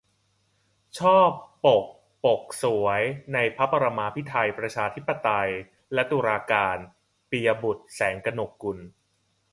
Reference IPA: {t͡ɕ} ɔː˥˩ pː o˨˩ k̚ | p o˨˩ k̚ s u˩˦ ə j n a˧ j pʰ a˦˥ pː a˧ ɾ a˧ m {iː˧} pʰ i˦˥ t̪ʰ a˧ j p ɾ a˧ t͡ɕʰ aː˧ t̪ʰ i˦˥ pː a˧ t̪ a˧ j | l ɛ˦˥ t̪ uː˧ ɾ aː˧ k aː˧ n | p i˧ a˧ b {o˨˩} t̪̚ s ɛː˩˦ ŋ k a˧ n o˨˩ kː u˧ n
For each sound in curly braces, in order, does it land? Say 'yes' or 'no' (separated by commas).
no, no, no